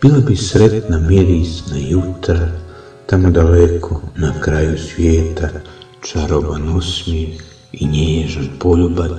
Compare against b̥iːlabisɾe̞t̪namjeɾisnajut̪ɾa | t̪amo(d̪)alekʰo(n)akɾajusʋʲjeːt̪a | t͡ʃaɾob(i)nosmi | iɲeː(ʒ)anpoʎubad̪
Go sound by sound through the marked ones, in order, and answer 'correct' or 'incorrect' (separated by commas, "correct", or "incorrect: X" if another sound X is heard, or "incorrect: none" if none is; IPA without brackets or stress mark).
correct, correct, incorrect: a, correct